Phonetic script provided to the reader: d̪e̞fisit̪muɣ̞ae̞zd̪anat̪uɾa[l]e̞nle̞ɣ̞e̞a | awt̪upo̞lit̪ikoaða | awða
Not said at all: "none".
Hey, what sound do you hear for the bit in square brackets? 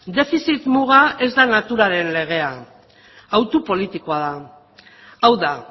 ɾ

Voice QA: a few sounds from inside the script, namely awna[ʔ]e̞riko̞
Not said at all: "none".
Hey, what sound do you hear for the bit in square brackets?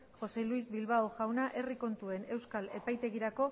ʔ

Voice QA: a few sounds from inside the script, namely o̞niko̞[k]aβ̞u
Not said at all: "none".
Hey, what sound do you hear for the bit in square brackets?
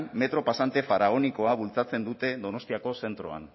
none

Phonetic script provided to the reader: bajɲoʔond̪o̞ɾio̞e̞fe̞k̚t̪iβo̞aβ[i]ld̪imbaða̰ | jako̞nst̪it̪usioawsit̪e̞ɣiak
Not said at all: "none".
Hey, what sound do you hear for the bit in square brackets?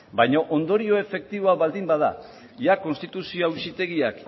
a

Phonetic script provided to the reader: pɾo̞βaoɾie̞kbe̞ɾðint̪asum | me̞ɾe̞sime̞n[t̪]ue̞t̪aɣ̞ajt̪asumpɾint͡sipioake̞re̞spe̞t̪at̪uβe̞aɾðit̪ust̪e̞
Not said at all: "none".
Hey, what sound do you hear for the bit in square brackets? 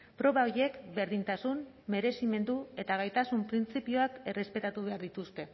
d̪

